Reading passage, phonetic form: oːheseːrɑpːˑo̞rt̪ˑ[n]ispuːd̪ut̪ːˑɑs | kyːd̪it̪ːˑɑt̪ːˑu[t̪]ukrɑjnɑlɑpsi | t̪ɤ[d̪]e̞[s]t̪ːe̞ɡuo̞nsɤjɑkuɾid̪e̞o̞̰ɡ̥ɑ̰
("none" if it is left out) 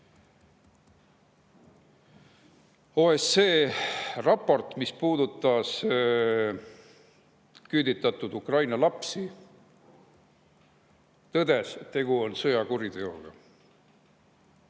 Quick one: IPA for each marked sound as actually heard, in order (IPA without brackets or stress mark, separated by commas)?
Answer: m, d̪, d̪, s